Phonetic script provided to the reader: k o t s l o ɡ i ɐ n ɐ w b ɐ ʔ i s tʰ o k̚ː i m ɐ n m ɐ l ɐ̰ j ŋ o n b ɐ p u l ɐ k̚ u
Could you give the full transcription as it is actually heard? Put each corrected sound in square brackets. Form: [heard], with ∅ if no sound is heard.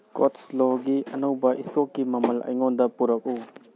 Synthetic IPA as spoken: k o t s l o ɡ i ɐ n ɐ w b ɐ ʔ i s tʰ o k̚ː i m ɐ [∅] m ɐ l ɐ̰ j ŋ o n [d] ɐ p u [ɾ] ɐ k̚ u